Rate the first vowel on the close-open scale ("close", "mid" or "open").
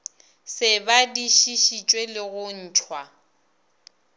close